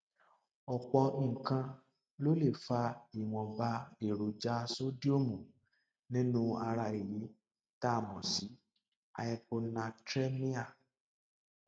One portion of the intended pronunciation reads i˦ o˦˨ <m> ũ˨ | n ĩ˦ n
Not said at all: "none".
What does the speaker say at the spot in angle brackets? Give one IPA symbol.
m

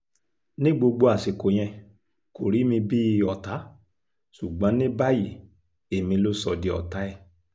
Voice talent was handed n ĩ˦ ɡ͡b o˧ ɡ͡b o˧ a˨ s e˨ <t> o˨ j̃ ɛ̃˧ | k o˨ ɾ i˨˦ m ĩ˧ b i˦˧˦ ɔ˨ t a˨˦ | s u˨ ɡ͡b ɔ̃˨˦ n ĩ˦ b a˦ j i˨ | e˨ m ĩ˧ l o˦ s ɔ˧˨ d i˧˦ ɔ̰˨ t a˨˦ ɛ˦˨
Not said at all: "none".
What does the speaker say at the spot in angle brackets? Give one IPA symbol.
k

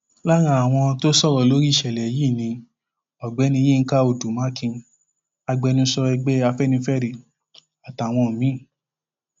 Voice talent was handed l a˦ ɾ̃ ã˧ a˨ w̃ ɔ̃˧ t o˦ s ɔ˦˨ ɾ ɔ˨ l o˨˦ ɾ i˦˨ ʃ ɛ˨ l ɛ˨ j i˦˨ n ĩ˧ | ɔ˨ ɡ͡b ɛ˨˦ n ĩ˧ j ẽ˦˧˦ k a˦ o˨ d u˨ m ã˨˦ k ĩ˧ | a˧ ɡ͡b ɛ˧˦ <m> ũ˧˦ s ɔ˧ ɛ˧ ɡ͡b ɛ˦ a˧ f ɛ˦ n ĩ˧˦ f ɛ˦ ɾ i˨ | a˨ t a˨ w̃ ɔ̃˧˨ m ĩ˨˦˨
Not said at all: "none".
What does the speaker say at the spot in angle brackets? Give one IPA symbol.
n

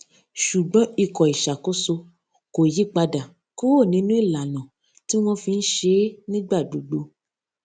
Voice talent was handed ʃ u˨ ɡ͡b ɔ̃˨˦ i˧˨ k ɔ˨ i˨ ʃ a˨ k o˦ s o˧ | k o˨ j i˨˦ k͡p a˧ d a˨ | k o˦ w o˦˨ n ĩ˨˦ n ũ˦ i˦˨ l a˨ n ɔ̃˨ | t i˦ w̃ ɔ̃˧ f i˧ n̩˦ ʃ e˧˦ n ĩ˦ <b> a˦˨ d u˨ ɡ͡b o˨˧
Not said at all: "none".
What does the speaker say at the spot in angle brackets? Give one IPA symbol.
ɡ͡b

